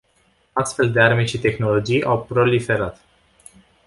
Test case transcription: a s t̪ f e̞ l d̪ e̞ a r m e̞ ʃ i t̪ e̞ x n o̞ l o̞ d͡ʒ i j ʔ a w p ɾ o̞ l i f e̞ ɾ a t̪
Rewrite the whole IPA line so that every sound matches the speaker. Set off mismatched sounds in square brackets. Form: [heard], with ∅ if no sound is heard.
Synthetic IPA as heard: a s t̪ f e̞ l d̪ e̞ a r m e̞ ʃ i t̪ e̞ x n o̞ l o̞ d͡ʒ i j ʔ a w p ɾ o̞ l i f e̞ ɾ a t̪